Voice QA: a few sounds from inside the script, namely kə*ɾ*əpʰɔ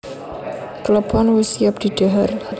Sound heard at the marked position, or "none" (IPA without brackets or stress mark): l